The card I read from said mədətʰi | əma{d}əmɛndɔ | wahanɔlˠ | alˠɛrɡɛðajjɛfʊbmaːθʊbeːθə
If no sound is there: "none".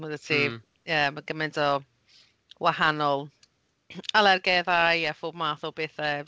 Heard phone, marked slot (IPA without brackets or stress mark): ɡ